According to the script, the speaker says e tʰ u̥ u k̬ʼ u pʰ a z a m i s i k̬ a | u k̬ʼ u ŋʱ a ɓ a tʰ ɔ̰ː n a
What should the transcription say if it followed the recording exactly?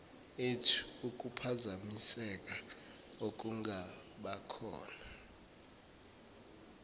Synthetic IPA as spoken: e tʰ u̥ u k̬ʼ u pʰ a z a m i s ɛ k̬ a | o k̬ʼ u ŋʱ a ɓ a kʰ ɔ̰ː n a